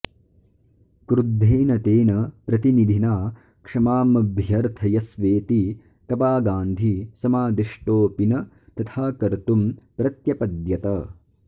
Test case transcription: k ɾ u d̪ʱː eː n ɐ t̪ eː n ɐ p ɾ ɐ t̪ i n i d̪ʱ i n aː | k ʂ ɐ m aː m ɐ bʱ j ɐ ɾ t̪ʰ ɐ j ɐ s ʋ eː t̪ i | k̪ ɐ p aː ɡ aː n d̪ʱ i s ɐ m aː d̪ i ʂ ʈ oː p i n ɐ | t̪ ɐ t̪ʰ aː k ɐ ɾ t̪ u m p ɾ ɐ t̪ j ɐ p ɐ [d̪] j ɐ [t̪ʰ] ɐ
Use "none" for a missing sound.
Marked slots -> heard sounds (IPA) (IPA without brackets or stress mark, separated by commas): d̪, t̪